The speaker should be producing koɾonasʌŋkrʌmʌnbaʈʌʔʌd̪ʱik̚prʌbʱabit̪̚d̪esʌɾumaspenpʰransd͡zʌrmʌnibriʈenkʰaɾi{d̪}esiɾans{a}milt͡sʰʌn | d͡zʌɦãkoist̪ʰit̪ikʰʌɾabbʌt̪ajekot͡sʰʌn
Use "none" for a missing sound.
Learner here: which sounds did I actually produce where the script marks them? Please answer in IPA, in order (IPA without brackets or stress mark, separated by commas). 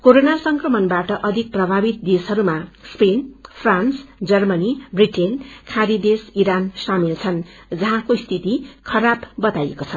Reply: d̪, a